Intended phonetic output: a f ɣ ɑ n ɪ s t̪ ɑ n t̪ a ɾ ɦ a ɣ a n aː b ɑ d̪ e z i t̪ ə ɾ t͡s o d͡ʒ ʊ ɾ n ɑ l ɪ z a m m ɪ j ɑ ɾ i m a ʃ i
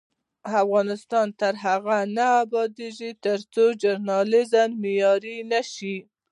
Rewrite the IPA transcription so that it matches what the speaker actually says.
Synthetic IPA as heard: a f ɣ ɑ n ɪ s t̪ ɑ n t̪ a ɾ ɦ a ɣ a n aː b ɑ d̪ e ʒ i t̪ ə ɾ t͡s o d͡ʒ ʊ ɾ n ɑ l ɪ z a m m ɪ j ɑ ɾ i n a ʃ i